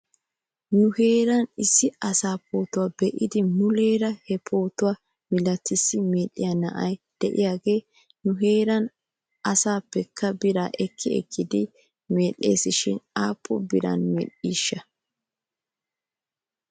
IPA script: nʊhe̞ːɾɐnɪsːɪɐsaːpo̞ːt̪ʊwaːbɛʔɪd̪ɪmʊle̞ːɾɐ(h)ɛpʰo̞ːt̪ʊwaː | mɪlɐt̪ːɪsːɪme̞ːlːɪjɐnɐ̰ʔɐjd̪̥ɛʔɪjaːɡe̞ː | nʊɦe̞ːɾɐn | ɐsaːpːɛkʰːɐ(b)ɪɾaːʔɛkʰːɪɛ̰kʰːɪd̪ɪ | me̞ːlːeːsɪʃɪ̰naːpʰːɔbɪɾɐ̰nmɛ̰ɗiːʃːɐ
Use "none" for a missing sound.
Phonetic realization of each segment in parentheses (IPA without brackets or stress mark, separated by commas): h, b